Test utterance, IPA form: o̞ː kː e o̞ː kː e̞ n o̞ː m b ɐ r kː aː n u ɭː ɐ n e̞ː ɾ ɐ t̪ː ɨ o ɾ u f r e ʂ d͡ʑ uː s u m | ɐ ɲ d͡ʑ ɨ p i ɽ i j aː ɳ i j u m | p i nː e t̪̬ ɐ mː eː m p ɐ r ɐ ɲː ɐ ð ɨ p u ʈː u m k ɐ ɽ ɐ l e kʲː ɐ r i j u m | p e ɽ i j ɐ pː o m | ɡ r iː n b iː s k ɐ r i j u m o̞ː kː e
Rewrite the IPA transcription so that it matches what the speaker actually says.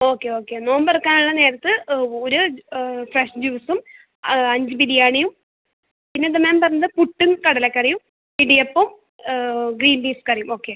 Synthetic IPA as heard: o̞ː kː e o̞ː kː e̞ n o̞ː m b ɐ r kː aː n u ɭː ɐ n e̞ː ɾ ɐ t̪ː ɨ o ɾ u f r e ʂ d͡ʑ uː s u m | ɐ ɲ d͡ʑ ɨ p i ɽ i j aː ɳ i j u m | p i nː e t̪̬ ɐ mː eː m p ɐ r ɐ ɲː ɐ ð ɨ p u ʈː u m k ɐ ɽ ɐ l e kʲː ɐ r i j u m | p i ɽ i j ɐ pː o m | ɡ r iː n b iː s k ɐ r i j u m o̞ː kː e